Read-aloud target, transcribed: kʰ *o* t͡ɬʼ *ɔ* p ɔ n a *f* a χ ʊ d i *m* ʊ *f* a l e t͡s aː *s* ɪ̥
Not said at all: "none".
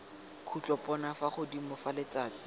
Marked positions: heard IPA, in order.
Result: u, ɔ, f, m, f, t͡s

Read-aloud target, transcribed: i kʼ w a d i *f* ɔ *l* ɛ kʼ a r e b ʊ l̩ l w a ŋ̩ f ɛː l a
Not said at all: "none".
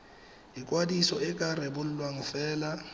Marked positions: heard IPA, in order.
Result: s, none

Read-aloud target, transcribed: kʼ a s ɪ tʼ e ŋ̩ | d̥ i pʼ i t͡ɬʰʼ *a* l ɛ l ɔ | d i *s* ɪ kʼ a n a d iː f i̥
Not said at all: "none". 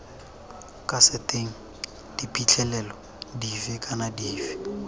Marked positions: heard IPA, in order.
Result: ɛ, f

